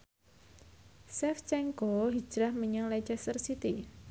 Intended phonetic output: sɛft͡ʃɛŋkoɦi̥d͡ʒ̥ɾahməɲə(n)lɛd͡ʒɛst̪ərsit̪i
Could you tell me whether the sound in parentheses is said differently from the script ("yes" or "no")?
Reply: yes